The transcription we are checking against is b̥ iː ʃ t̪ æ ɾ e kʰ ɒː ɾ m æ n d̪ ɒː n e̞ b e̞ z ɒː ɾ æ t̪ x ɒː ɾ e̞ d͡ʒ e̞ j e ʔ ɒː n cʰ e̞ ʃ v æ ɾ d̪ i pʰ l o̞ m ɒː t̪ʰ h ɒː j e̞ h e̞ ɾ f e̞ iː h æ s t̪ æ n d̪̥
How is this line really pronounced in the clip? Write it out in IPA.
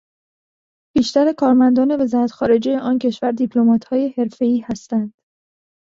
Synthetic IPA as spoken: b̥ iː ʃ t̪ æ ɾ e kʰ ɒː ɾ m æ n d̪ ɒː n e̞ v e̞ z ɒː ɾ æ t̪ x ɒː ɾ e̞ d͡ʒ e̞ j e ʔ ɒː n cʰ e̞ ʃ v æ ɾ d̪ i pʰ l o̞ m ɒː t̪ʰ h ɒː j e̞ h e̞ ɾ f e̞ iː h æ s t̪ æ n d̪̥